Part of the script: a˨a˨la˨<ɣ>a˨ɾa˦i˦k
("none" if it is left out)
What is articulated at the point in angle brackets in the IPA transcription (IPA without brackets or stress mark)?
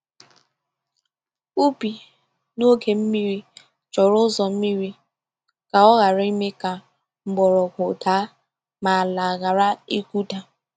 ɣ